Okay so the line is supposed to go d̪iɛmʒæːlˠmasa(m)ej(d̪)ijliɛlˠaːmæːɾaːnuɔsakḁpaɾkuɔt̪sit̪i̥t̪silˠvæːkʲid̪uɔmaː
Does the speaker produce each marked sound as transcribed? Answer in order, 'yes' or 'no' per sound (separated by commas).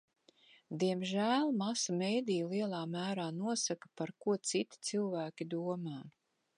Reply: yes, yes